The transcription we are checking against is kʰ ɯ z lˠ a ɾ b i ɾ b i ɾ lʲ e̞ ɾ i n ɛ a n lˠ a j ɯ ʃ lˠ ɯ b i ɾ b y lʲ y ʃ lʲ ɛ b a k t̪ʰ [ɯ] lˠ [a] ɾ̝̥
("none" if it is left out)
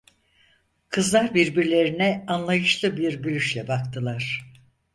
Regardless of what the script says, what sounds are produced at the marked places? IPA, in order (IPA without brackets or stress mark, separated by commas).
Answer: ɯ, a